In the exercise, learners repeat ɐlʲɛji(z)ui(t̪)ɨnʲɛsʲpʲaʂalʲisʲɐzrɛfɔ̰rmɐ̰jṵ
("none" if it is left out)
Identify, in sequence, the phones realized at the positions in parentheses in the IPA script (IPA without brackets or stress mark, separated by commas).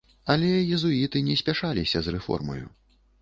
z, t̪